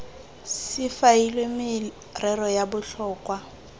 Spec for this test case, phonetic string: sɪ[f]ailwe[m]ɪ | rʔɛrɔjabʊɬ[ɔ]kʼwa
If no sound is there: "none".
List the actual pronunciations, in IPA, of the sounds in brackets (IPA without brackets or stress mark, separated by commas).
f, m, ɔː